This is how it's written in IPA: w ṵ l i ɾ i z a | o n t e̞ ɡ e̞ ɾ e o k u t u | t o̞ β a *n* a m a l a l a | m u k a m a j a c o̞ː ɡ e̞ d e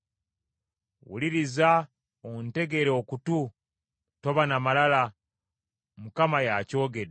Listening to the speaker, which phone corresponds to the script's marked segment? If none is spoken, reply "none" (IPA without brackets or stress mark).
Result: n